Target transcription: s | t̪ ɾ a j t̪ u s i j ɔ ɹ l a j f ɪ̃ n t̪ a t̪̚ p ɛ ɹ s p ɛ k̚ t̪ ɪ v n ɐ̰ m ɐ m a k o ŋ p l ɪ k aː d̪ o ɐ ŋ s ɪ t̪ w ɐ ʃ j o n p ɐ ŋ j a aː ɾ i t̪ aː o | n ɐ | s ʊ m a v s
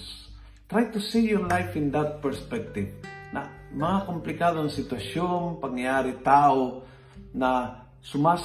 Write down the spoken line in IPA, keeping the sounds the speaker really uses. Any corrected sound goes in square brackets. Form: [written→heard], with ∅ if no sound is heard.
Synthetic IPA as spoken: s | t̪ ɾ a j t̪ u s i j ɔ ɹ l a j f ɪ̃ n [t̪→d̪] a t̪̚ p ɛ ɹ s p ɛ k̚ t̪ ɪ v n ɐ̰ m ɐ [m→ŋ] a k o [ŋ→m] p l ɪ k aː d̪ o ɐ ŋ s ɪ t̪ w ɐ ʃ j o n p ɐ ŋ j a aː ɾ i t̪ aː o | n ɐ | s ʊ m a [v→∅] s